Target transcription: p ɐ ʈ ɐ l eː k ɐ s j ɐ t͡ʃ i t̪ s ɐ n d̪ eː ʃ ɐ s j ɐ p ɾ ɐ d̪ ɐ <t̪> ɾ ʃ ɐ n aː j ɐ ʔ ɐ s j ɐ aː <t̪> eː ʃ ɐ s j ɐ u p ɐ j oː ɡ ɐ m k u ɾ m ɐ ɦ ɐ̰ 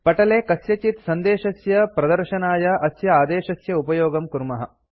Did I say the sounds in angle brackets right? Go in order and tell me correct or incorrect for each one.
incorrect: none, incorrect: d̪

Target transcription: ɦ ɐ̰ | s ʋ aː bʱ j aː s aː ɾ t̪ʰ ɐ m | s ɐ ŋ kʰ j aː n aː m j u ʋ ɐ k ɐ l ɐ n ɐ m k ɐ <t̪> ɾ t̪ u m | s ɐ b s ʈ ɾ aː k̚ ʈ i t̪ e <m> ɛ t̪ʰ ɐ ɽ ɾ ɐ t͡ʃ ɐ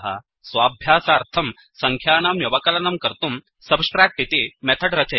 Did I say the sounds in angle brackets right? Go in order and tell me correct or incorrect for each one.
incorrect: none, correct

